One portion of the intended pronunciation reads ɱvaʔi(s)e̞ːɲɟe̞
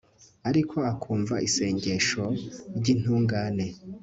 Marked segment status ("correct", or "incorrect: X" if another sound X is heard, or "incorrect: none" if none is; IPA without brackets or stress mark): correct